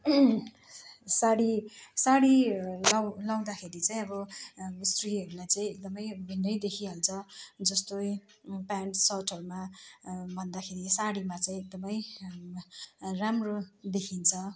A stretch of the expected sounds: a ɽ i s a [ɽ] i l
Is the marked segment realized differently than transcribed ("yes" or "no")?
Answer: no